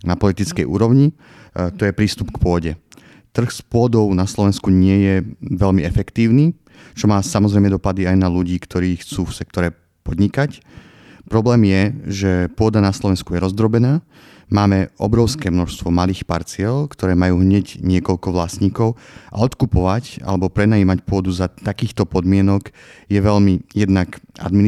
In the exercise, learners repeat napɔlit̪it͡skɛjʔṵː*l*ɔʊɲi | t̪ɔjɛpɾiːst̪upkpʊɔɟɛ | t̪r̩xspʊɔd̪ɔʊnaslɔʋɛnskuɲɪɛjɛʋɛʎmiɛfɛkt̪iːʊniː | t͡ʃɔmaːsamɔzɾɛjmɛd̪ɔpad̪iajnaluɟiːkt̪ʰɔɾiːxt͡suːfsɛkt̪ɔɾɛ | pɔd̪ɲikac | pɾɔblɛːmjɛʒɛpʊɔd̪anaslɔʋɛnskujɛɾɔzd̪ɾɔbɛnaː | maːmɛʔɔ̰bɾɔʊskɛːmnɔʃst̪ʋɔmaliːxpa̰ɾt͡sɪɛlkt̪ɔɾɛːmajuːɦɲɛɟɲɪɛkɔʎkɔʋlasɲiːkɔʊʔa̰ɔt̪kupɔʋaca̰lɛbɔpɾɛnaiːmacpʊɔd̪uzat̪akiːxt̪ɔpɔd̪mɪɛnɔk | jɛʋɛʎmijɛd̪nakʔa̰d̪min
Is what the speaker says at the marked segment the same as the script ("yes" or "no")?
no